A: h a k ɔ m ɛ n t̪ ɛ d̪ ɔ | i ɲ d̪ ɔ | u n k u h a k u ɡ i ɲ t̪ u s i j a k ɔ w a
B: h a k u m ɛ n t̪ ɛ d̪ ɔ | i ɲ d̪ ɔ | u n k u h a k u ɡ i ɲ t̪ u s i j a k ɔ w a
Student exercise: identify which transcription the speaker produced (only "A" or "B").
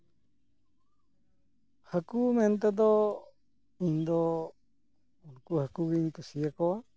B